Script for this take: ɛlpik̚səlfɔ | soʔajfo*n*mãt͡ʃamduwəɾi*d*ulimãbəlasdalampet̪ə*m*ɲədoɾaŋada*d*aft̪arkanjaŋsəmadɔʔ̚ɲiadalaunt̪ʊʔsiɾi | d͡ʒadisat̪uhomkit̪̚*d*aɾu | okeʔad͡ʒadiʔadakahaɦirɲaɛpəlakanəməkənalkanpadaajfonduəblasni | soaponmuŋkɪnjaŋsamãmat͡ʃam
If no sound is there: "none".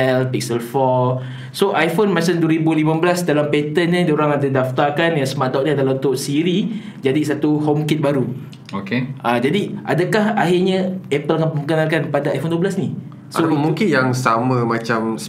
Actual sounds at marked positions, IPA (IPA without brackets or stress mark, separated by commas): n, b, n, d, b